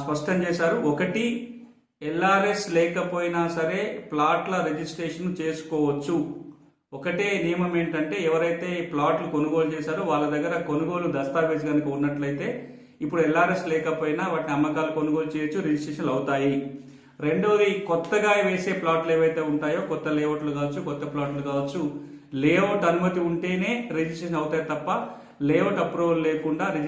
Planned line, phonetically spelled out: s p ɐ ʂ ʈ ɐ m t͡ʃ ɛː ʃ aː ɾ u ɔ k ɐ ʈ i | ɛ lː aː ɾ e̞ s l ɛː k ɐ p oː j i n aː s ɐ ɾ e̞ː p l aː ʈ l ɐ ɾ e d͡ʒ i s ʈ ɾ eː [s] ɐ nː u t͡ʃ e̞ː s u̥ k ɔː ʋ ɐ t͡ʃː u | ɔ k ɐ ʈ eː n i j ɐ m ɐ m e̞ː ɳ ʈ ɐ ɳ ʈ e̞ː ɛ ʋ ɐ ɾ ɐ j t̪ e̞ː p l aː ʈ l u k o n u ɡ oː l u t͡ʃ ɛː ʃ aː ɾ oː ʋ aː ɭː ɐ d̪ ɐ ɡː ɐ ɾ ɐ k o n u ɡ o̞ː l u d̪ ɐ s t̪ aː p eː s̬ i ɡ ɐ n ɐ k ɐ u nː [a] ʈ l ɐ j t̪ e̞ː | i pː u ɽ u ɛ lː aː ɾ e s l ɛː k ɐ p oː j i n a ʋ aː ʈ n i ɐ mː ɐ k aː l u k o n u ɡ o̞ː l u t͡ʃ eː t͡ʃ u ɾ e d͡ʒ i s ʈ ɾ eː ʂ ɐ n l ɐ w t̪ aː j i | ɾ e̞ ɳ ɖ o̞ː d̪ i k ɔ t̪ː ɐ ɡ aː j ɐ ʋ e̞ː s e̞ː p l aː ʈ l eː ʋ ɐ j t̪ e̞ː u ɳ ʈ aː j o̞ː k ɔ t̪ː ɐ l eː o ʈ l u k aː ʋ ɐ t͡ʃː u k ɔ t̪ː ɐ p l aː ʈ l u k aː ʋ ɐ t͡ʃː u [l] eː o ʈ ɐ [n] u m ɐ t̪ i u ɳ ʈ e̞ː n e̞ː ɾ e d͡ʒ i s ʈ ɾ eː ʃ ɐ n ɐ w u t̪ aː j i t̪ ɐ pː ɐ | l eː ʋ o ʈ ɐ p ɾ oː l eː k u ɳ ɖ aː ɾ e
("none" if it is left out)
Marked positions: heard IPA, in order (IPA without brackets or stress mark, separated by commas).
ʂ, ɐ, l, n